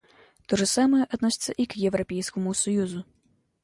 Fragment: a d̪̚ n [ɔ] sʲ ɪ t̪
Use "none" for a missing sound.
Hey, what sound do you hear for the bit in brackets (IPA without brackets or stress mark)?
ɔ